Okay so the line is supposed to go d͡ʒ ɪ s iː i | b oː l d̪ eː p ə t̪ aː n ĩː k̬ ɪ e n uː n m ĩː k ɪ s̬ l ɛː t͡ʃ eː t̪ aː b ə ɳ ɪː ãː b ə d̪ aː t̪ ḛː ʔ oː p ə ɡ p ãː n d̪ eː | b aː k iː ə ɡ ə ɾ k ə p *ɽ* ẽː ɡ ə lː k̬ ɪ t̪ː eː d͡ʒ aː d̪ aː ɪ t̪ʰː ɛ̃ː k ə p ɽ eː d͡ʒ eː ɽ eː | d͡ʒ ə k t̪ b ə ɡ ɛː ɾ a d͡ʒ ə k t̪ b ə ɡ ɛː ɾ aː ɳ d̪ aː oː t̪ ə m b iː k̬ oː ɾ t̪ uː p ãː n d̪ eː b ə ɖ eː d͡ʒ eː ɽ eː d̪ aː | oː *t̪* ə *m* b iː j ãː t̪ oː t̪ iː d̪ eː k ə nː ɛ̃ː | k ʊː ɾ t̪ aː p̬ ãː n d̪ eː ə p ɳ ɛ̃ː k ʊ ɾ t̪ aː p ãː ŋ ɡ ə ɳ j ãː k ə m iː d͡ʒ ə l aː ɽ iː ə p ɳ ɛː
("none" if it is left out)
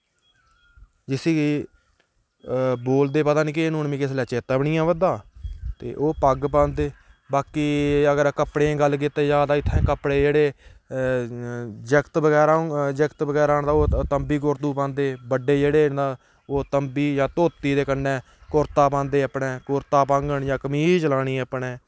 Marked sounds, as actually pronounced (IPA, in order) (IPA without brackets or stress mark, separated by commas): ɽ, t̪, m